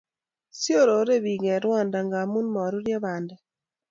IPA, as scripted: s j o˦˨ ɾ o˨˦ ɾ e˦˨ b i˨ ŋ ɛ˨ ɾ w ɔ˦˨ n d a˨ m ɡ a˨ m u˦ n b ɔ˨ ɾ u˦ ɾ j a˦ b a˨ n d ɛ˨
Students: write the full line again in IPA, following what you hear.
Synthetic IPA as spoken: s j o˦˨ ɾ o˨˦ ɾ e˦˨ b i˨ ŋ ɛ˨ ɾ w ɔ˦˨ n d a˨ ŋ ɡ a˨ m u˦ n m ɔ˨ ɾ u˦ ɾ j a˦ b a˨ n d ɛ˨